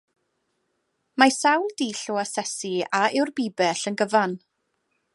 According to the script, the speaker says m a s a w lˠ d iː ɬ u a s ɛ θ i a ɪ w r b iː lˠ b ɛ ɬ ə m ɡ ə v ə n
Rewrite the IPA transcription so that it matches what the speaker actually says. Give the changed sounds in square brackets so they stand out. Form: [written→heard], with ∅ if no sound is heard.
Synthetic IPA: m a s a w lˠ d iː ɬ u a s ɛ [θ→s] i a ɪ w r b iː [lˠ→∅] b ɛ ɬ ə [m→n] ɡ ə v [ə→a] n